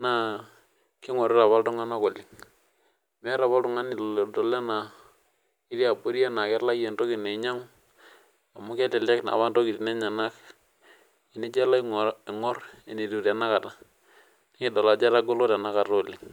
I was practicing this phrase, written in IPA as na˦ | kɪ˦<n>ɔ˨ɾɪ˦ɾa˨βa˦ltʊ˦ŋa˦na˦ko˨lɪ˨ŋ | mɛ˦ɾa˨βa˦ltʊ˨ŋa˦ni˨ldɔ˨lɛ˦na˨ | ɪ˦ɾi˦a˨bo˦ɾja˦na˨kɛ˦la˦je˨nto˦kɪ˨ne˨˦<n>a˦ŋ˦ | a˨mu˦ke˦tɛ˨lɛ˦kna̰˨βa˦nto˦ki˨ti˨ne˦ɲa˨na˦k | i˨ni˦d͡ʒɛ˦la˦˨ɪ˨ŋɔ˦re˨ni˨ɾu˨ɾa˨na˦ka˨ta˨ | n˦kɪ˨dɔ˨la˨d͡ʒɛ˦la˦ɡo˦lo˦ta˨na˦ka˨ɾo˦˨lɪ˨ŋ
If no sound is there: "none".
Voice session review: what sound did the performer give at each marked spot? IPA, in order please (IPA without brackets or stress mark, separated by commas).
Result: ŋ, ɲ